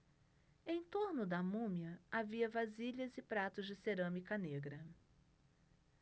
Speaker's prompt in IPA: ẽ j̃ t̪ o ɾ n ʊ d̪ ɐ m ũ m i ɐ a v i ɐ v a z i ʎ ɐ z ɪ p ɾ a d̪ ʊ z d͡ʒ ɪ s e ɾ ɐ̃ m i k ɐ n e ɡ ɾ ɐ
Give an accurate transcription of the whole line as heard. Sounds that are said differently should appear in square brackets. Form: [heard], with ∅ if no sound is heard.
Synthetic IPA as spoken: ẽ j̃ t̪ o ɾ n ʊ d̪ ɐ m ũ m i ɐ a v i ɐ v a z i ʎ ɐ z ɪ p ɾ a [t̪] ʊ z d͡ʒ ɪ s e ɾ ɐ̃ m i k ɐ n e ɡ ɾ ɐ